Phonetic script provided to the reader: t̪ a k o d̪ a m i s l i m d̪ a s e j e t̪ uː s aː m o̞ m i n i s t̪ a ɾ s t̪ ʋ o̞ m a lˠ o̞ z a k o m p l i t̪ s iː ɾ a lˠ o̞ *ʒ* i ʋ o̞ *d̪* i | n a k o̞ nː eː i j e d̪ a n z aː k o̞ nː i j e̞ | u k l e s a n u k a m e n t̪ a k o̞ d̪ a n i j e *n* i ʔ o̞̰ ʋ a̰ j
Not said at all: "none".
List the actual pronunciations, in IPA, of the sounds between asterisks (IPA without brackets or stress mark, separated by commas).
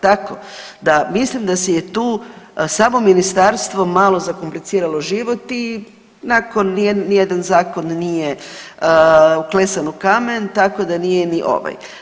ʒ, t̪, n